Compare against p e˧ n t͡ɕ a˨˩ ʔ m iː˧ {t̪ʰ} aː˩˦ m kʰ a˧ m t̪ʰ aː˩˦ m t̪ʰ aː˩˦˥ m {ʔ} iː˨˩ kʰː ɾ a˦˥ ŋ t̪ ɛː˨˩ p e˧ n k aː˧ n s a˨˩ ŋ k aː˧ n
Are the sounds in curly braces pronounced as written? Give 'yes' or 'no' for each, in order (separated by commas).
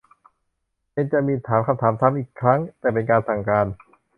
yes, yes